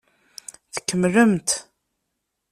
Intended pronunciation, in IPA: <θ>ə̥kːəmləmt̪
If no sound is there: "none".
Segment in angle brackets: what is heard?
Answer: θ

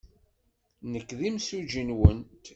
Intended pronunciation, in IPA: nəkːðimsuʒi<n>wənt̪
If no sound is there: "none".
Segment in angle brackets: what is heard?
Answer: n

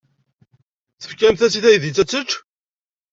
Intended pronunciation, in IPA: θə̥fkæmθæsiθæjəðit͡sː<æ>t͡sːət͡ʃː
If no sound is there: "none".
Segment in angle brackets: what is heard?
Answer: æ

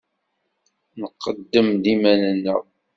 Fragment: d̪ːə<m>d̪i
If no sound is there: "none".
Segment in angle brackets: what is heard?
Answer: m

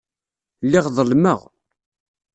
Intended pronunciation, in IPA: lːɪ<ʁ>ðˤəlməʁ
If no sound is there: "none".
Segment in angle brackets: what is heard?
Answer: ʁ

